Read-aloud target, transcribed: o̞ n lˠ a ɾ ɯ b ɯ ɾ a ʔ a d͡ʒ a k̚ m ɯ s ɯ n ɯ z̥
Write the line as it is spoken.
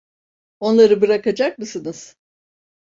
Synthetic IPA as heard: o̞ n lˠ a ɾ ɯ b ɯ ɾ a k a d͡ʒ a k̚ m ɯ s ɯ n ɯ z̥